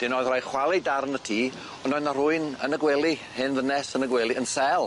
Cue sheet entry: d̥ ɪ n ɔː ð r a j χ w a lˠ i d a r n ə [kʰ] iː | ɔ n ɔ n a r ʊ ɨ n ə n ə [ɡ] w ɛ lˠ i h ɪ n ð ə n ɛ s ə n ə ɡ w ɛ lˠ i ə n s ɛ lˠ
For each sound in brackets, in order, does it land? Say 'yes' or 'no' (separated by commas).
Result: no, yes